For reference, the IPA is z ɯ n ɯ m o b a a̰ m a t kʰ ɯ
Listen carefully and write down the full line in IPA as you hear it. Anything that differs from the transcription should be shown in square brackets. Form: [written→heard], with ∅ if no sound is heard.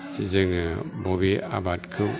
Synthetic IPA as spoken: z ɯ [n→ŋ] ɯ [m→b] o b [a→i] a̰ [m→b] a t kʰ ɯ